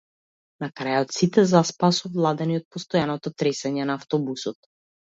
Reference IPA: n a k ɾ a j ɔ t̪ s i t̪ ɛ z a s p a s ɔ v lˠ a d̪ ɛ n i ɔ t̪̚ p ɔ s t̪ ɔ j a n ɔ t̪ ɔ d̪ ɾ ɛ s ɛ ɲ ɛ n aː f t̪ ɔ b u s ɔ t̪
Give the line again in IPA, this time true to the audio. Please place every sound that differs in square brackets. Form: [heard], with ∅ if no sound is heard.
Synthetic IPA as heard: n a k ɾ a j ɔ t̪ s i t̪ ɛ z a s p a s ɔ v lˠ a d̪ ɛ n i ɔ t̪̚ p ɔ s t̪ ɔ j a n ɔ t̪ ɔ [t̪] ɾ ɛ s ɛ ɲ ɛ n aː f t̪ ɔ b u s ɔ t̪